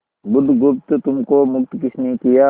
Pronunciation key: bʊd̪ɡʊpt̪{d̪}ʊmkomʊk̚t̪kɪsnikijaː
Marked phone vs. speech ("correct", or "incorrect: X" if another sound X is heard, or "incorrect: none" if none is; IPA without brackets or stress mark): incorrect: t̪